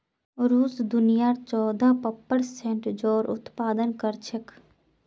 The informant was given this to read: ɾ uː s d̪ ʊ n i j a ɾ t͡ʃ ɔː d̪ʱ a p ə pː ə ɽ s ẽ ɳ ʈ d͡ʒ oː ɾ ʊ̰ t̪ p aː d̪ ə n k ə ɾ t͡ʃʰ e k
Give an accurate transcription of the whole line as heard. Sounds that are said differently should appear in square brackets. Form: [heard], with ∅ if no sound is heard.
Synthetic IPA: ɾ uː s d̪ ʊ n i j a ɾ t͡ʃ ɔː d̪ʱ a p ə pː ə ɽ s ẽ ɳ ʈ d͡ʒ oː ɾ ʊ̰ t̪ p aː d̪ ə n k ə ɾ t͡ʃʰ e k